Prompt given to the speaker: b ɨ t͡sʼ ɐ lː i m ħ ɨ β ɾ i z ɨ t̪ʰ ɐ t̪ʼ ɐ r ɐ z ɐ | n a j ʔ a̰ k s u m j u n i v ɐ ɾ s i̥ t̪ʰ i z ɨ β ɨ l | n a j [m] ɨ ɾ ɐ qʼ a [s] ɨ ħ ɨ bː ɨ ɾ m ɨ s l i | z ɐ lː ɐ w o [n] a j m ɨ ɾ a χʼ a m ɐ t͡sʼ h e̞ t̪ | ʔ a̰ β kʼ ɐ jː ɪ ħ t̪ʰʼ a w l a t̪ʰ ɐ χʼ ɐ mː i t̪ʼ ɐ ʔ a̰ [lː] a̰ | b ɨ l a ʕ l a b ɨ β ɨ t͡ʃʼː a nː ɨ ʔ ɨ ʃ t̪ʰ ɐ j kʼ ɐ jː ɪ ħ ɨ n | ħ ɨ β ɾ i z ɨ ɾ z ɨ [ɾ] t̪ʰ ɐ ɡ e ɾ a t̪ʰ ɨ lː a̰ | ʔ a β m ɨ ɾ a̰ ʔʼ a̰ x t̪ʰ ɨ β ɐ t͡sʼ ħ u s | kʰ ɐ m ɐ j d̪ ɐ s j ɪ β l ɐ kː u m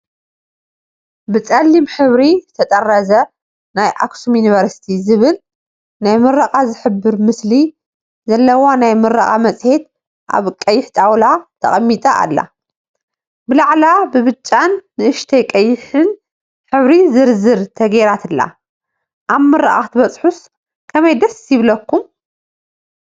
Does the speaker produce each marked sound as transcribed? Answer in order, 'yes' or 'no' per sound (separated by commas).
yes, no, yes, yes, yes